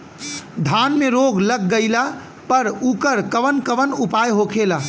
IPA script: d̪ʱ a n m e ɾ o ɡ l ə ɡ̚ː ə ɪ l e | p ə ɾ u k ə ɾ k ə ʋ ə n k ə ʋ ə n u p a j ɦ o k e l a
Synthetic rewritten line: d̪ʱ a n m e ɾ o ɡ l ə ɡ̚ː ə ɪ l a | p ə ɾ u k ə ɾ k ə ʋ ə n k ə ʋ ə n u p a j ɦ o kʰ e l a